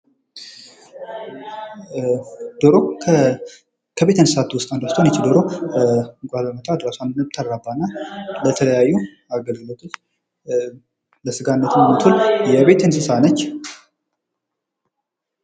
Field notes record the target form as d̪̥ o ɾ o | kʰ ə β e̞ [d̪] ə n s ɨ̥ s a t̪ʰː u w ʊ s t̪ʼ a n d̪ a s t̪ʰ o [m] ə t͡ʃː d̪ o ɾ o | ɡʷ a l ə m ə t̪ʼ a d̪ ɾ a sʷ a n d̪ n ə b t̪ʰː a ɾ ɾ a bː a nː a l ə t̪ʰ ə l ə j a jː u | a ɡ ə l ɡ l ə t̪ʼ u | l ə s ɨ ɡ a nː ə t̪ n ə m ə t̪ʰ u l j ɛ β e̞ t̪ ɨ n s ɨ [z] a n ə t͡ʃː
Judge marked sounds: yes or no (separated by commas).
no, no, no